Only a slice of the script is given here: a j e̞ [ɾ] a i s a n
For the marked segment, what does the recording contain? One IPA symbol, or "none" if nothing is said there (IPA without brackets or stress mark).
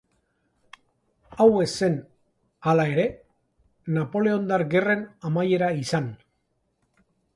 ɾ